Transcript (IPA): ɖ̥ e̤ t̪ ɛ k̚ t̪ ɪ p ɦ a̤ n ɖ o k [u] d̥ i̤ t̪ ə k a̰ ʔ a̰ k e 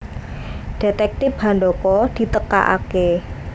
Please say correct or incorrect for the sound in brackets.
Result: incorrect